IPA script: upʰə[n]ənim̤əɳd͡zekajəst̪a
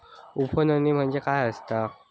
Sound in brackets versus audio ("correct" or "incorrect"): correct